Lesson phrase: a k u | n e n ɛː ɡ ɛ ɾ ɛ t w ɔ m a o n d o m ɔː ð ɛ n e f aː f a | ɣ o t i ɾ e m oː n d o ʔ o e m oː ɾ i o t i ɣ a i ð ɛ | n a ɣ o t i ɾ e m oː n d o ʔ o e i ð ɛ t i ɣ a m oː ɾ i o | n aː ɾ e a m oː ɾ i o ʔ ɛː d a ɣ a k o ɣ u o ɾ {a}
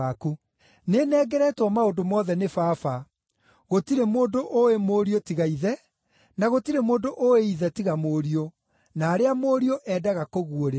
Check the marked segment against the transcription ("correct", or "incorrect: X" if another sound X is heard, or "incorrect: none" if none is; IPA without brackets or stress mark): incorrect: e